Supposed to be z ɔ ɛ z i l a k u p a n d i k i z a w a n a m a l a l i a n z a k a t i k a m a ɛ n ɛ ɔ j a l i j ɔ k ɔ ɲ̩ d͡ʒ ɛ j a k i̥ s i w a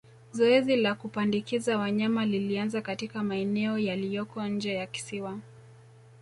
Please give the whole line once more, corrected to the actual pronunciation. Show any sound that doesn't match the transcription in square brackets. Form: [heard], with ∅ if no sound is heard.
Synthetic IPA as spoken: z ɔ ɛ z i l a k u p a n d i k i z a w a [ɲ] a m a l [i] l i a n z a k a t i k a m a ɛ n ɛ ɔ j a l i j ɔ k ɔ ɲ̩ d͡ʒ ɛ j a k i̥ s i w a